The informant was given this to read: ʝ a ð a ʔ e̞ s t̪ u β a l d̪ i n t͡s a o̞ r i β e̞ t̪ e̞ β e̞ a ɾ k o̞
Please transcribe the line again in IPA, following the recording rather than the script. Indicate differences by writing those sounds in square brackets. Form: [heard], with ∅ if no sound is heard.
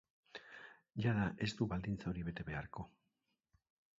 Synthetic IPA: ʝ a ð a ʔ e̞ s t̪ u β a l d̪ i n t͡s a o̞ [ɾ] i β e̞ t̪ e̞ β e̞ a ɾ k o̞